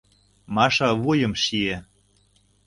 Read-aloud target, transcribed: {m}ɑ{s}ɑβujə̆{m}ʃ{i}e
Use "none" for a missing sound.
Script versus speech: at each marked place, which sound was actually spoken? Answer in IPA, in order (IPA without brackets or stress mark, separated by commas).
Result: m, ʃ, m, i